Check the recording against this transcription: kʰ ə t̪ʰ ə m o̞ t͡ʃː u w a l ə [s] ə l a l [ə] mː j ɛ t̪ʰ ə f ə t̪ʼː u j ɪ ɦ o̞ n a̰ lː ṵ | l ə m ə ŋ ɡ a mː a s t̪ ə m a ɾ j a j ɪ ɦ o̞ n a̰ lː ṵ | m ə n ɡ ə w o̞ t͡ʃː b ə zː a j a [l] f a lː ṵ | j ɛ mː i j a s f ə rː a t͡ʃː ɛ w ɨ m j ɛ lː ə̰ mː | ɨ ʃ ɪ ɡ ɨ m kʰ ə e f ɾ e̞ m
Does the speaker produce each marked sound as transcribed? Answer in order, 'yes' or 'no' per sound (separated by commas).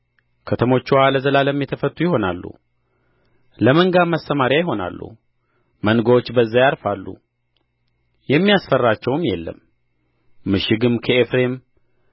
no, yes, no